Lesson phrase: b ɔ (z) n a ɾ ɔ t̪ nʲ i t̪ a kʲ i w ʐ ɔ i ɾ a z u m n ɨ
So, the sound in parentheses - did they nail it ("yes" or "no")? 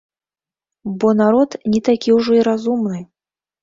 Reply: no